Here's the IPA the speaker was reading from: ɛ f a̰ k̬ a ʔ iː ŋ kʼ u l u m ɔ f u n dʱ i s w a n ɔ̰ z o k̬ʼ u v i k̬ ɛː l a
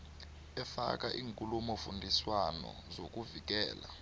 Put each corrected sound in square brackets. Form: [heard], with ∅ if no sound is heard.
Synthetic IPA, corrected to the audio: ɛ f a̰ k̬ a ʔ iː ŋ kʼ u l u m ɔ f u n dʱ i s w a n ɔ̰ z o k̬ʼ u v i k̬ ɛː l a